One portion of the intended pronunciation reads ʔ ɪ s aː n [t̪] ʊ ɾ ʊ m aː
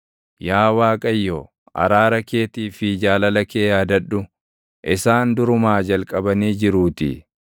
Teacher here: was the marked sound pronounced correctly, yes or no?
no